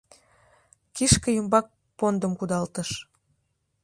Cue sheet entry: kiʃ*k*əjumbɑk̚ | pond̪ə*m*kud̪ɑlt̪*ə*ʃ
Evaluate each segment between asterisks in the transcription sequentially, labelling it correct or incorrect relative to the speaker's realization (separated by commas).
correct, correct, correct